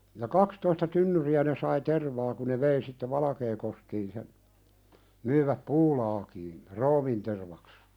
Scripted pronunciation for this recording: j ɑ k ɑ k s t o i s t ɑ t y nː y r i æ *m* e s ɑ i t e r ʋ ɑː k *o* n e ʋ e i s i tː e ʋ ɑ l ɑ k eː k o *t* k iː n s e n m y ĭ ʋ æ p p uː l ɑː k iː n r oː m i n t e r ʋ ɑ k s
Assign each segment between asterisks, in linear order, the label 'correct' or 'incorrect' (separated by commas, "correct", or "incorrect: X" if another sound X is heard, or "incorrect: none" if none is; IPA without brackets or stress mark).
incorrect: n, incorrect: u, incorrect: s